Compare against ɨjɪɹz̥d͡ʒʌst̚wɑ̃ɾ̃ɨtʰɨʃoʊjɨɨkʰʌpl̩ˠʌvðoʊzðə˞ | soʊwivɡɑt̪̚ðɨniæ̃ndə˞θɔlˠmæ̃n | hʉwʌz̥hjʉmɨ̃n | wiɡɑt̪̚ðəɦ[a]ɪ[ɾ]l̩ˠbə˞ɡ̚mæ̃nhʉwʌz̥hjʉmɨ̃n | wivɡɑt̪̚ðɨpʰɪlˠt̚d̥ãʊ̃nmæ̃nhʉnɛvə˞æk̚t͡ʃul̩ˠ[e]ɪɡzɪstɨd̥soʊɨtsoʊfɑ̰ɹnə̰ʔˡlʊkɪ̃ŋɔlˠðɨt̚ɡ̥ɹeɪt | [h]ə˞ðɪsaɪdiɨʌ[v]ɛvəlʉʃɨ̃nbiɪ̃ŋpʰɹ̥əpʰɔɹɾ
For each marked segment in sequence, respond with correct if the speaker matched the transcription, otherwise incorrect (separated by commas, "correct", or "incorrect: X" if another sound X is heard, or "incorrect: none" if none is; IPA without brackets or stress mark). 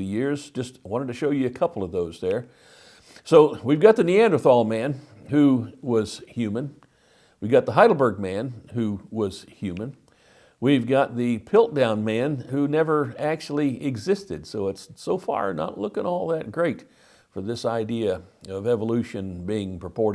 correct, correct, incorrect: i, incorrect: f, correct